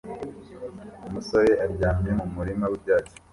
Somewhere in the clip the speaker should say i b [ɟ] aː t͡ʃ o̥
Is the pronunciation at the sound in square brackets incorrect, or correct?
correct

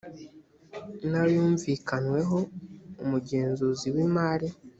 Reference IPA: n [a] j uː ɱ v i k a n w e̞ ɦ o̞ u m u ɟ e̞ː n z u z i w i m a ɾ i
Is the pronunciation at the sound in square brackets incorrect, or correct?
correct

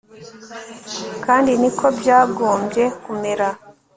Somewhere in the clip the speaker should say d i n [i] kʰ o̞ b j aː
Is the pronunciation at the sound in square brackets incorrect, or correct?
correct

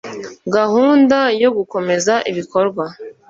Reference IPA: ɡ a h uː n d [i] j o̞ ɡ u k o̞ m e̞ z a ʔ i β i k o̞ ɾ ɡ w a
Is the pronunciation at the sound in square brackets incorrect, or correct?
incorrect: a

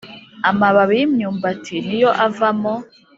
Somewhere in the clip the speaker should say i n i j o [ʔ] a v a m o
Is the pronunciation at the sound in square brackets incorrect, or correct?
correct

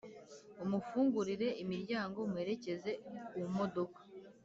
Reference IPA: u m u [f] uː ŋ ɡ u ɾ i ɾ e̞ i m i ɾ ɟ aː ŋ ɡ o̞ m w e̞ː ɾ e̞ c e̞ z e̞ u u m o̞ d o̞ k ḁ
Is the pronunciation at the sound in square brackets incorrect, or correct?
correct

